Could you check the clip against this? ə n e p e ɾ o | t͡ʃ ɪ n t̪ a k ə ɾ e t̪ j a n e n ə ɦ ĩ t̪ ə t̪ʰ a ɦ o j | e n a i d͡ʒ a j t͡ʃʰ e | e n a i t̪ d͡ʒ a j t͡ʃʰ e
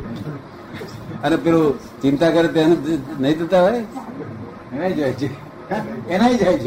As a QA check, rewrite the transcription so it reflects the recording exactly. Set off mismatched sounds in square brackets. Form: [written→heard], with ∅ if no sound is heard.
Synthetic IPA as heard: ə n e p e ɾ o | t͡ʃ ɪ n t̪ a k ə ɾ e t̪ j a n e n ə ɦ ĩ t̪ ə [t̪ʰ→t̪] a ɦ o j | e n a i d͡ʒ a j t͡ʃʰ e | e n a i [t̪→∅] d͡ʒ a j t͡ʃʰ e